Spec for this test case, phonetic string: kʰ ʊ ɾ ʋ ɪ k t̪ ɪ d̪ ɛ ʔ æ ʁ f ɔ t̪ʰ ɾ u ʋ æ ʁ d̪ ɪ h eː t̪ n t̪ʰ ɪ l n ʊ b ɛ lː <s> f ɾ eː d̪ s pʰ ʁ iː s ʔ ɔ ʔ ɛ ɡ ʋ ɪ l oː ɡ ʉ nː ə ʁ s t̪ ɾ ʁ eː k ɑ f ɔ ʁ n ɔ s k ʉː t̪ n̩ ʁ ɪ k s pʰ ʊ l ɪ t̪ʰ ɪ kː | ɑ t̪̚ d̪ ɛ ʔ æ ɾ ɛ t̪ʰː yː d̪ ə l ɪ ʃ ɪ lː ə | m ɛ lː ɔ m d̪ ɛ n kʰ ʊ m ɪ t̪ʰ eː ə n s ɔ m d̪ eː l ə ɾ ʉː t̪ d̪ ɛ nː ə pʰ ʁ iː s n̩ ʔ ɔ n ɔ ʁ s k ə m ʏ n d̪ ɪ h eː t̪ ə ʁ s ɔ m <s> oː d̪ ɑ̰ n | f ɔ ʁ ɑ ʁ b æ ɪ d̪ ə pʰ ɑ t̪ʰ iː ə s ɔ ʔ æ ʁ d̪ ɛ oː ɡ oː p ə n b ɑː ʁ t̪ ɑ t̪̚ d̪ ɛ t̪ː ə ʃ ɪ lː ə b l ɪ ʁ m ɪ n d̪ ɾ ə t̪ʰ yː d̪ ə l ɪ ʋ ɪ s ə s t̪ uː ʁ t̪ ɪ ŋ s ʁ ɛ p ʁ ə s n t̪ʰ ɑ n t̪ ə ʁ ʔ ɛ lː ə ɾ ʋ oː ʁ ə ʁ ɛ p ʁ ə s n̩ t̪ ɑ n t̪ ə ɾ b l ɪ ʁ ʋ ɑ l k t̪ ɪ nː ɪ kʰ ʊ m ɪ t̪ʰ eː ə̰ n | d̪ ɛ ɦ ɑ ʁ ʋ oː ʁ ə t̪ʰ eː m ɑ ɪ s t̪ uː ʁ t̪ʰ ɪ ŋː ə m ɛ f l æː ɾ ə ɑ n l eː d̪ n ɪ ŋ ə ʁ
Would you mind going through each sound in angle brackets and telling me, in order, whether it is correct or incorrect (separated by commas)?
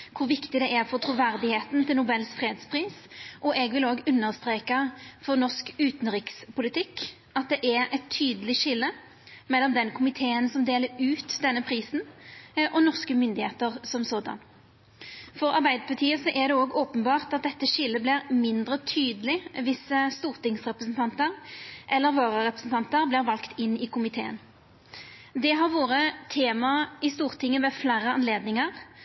correct, correct